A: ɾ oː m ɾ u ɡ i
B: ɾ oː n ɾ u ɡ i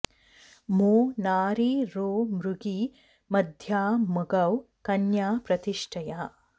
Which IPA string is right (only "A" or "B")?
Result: A